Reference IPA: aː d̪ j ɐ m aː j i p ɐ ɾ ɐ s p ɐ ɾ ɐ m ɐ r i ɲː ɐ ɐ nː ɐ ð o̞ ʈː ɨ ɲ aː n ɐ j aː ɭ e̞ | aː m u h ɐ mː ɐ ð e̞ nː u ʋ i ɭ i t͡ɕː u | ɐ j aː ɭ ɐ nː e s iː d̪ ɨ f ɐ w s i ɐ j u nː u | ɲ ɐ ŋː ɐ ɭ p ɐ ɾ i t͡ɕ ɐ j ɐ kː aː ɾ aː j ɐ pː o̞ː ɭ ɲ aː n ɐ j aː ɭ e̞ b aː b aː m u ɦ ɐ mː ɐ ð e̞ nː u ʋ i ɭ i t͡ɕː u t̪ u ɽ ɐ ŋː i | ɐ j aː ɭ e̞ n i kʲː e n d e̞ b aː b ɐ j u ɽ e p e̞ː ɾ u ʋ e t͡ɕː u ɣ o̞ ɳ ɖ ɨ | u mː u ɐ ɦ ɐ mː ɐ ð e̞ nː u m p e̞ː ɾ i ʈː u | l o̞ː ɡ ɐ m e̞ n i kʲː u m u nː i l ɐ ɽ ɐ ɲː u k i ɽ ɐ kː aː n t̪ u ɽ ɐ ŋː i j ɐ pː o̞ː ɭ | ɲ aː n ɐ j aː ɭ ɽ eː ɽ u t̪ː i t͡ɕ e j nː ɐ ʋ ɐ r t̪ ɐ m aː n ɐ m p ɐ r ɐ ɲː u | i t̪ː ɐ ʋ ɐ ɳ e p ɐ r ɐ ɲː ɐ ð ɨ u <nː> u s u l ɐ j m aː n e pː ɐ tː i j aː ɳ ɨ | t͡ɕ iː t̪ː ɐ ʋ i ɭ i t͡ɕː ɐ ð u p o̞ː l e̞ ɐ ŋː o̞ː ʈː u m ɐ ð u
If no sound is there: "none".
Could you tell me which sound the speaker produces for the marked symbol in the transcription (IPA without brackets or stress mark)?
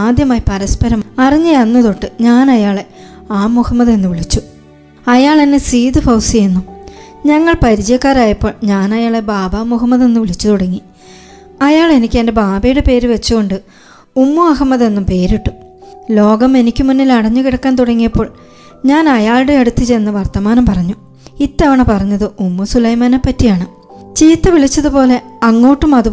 mː